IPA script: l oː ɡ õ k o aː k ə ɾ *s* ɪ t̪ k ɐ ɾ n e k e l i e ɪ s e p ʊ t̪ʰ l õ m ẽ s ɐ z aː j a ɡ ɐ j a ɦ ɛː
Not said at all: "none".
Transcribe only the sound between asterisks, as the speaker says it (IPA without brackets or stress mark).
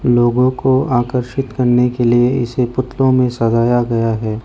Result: ʃ